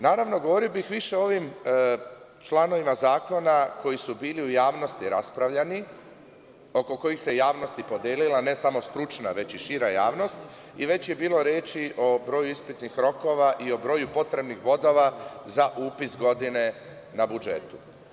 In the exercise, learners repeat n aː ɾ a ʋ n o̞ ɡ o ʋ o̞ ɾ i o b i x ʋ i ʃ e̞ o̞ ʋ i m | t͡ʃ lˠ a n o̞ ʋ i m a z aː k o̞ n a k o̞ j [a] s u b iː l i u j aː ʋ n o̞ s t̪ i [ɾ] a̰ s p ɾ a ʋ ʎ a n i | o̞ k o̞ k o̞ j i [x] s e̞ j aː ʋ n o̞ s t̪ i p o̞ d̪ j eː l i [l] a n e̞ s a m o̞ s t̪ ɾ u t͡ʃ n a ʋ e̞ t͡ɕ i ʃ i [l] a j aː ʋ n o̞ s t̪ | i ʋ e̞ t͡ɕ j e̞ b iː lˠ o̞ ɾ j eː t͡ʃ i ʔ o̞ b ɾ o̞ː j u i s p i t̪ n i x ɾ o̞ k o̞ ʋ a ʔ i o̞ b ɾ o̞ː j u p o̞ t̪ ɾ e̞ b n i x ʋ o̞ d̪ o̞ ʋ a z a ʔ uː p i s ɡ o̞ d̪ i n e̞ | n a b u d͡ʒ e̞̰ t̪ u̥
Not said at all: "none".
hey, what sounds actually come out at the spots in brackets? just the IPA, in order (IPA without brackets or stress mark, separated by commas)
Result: i, ɾ, x, l, ɾ